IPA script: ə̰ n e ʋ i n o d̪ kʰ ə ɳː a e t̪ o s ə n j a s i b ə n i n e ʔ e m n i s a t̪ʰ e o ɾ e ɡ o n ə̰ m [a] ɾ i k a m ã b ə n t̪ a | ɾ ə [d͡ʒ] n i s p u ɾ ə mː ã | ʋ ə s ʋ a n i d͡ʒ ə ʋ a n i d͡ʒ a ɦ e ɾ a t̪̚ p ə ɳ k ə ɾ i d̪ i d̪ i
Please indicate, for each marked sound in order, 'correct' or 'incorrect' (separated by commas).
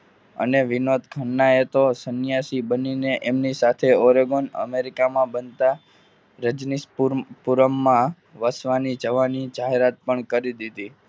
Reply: incorrect, correct